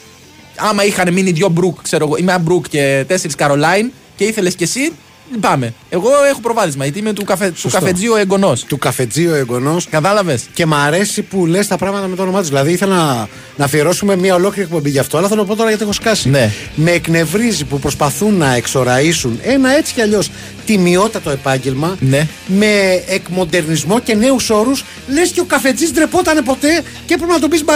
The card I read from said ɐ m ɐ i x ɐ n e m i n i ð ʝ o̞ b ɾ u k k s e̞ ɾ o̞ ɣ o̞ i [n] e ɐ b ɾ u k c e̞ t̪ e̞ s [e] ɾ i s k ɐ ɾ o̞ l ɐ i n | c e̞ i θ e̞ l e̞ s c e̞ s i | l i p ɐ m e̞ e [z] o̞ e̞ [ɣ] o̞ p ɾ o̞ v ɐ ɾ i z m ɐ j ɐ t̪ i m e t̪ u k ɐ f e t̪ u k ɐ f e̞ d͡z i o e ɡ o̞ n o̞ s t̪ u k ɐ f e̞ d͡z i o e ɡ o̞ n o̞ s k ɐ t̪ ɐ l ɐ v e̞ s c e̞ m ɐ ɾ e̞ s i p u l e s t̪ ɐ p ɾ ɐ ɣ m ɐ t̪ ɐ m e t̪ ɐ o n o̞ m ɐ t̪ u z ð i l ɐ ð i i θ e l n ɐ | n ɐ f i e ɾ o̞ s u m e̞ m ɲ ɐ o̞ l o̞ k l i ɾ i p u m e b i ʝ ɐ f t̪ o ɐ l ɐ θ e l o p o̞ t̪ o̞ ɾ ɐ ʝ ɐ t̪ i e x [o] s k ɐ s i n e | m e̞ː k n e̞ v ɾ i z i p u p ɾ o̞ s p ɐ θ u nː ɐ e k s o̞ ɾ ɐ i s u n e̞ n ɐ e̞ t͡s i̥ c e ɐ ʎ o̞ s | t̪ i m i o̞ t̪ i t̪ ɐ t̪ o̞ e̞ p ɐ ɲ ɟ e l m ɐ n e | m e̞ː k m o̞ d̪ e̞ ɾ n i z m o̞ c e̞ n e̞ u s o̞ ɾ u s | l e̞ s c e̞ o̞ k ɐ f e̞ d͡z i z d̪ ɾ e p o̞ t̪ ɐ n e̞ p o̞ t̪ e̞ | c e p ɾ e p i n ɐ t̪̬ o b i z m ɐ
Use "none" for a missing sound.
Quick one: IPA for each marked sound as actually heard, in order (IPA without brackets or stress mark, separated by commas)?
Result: m, e, ɣ, x, o